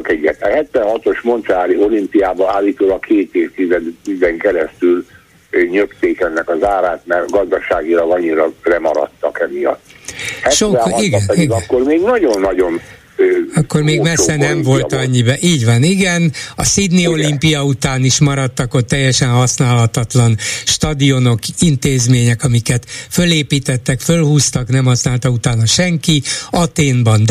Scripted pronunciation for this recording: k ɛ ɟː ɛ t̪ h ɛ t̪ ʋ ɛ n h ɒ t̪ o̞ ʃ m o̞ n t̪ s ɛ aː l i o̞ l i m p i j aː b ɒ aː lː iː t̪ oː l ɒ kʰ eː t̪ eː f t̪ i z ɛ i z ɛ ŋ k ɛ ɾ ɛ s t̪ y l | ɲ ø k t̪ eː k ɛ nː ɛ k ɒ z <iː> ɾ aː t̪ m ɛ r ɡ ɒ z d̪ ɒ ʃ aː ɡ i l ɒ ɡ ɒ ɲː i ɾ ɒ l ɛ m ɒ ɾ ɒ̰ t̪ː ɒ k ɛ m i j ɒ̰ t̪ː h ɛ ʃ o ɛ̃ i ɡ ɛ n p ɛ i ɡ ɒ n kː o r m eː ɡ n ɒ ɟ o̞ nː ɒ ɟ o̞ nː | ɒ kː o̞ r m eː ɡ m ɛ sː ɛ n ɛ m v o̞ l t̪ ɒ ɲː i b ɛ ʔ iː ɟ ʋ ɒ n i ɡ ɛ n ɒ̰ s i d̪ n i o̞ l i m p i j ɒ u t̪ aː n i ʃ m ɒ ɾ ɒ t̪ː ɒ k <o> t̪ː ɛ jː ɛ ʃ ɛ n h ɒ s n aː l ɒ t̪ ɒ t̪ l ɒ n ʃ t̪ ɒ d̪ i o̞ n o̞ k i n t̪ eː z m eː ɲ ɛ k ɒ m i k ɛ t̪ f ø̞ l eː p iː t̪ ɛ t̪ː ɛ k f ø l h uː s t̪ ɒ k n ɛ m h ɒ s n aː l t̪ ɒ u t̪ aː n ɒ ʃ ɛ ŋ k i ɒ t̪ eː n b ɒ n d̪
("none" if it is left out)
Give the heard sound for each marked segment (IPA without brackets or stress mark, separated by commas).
aː, o